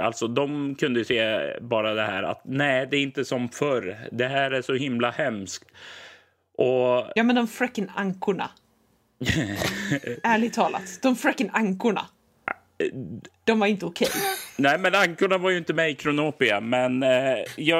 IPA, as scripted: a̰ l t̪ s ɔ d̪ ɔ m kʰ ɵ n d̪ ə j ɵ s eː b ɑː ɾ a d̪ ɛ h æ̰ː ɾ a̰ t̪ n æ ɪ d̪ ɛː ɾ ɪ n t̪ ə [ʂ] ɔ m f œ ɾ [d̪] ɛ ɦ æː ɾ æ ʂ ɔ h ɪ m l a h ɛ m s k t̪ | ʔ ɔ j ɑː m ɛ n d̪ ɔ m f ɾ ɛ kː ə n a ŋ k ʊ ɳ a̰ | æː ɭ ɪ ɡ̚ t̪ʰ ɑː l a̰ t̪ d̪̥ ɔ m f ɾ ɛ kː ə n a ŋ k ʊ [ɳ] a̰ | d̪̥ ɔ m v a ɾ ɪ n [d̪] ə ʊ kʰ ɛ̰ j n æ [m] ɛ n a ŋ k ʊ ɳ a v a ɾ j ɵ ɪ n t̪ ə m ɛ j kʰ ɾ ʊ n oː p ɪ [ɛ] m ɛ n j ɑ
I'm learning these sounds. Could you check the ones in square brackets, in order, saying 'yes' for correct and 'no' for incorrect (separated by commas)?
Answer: no, yes, yes, no, yes, no